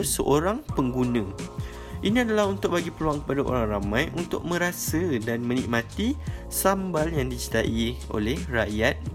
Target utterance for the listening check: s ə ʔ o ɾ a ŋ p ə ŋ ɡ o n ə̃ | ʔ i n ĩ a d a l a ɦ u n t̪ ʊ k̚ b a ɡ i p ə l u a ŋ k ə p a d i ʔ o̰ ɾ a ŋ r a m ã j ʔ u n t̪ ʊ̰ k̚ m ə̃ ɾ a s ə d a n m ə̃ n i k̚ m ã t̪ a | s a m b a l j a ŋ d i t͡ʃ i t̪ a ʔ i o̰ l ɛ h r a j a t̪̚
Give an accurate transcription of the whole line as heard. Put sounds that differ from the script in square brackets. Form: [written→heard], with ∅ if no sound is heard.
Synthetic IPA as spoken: s ə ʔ o ɾ a ŋ p ə ŋ ɡ [o→u] n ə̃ | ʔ i n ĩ a d a l a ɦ u n t̪ ʊ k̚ b a ɡ i p ə l u a ŋ k ə p a d [i→a] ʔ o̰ ɾ a ŋ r a m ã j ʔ u n t̪ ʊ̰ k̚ m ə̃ ɾ a s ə d a n m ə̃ n i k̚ m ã t̪ [a→i] | s a m b a l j a ŋ d i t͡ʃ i t̪ a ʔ i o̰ l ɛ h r a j a t̪̚